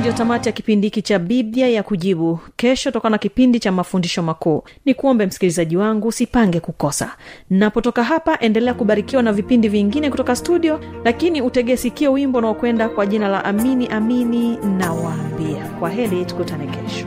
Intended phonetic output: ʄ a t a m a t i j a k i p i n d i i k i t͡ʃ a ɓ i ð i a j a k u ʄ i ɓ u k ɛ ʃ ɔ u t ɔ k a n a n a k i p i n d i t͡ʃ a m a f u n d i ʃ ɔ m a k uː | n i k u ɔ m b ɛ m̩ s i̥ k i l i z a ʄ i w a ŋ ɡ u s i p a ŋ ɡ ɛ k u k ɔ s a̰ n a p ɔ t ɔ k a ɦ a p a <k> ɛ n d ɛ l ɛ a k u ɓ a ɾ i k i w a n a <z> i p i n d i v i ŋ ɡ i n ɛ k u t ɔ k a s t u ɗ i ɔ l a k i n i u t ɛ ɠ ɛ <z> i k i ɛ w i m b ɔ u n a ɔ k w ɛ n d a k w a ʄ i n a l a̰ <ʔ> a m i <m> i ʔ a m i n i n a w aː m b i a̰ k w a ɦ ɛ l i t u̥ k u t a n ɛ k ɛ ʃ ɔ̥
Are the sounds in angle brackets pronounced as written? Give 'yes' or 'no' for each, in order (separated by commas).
no, no, no, yes, no